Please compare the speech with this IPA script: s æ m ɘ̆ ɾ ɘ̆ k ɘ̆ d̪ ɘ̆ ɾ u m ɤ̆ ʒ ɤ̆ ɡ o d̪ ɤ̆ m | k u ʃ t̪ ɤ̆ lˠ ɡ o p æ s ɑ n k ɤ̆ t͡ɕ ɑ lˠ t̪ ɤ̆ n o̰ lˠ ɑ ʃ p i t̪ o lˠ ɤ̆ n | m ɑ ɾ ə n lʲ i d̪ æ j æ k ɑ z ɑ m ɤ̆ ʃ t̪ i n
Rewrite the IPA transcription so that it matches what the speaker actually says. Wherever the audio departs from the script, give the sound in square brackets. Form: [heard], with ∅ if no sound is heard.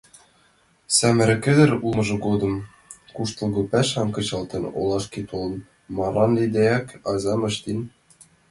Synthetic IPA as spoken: s æ m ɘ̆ ɾ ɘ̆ k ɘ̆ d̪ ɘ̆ ɾ u m ɤ̆ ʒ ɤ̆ ɡ o d̪ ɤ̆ m | k u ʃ t̪ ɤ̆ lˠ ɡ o p æ [ʃ] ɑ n k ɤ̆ t͡ɕ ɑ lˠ t̪ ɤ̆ n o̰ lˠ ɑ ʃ [k] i t̪ o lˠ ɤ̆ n | m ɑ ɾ [ɑ] n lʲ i d̪ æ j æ k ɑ z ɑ m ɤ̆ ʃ t̪ i n